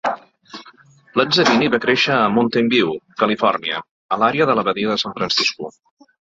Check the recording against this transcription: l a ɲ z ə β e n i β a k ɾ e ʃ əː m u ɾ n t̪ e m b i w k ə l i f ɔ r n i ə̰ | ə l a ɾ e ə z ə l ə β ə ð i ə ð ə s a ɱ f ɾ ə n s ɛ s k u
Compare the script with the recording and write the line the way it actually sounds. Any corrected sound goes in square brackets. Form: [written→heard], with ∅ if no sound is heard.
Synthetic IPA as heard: l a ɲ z ə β [e→i] n i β a k ɾ e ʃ əː m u [ɾ→∅] n t̪ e m b i w k ə l i f ɔ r n i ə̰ | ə l a ɾ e ə [z→ð] ə l ə β ə ð i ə ð ə s a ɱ f ɾ ə n s [ɛ→i] s k u

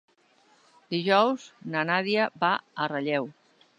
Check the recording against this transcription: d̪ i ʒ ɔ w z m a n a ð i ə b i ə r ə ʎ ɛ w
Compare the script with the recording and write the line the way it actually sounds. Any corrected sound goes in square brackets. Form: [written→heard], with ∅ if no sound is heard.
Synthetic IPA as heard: d̪ i ʒ ɔ w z [m→n] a n a ð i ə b [i→a] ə r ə ʎ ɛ w

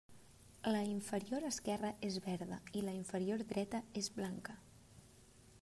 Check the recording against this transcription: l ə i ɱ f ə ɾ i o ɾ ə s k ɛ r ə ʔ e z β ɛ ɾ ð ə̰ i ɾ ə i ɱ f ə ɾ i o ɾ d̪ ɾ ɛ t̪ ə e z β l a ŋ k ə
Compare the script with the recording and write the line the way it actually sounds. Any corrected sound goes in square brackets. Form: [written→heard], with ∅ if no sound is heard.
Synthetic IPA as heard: l ə i ɱ f ə ɾ i o ɾ ə s k ɛ r ə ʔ e z β ɛ ɾ ð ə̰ i [ɾ→l] ə i ɱ f ə ɾ i o ɾ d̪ ɾ ɛ t̪ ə e z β l a ŋ k ə

